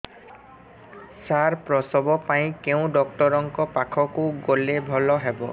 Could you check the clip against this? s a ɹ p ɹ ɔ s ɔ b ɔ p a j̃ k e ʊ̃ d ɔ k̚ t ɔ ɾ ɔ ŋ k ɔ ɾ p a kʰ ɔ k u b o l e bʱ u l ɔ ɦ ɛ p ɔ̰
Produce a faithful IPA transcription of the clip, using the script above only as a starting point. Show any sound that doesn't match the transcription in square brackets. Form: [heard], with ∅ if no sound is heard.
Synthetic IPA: s a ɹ p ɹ ɔ s ɔ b ɔ p a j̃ k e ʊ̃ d ɔ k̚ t ɔ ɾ ɔ ŋ k ɔ [∅] p a kʰ ɔ k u [ɡ] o l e bʱ [ɔ] l ɔ ɦ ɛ [b] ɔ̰